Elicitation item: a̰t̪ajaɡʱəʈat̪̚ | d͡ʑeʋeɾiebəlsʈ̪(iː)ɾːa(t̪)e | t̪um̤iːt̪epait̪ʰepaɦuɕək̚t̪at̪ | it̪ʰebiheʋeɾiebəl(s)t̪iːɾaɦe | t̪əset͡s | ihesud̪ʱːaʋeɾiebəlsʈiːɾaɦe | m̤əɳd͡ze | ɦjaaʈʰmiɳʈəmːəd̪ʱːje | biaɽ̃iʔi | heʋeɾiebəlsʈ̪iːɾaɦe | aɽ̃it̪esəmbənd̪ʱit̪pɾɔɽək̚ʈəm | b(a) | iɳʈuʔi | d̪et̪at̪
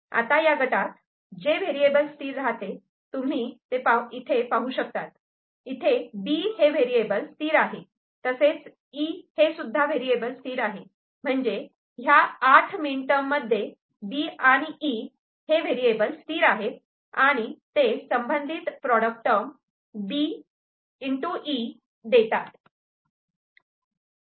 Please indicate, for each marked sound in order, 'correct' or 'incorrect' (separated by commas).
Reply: correct, correct, correct, incorrect